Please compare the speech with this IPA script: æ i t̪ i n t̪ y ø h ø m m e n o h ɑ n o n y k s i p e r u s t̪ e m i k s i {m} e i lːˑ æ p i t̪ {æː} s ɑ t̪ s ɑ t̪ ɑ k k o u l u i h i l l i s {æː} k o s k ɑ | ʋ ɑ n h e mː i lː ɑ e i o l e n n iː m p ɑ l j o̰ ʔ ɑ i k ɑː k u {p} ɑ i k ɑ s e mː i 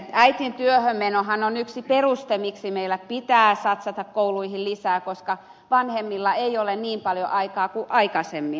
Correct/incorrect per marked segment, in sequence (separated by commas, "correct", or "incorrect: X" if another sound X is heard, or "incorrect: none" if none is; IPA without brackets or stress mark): correct, correct, correct, incorrect: ʔ